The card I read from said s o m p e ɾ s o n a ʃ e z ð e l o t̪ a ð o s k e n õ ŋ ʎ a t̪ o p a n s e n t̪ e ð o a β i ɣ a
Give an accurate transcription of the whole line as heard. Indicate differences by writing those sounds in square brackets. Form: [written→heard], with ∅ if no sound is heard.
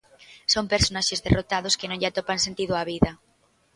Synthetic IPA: s o m p e ɾ s o n a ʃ e z ð e [l→r] o t̪ a ð o s k e n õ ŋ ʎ a t̪ o p a n s e n t̪ [e→i] ð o a β i [ɣ→ð] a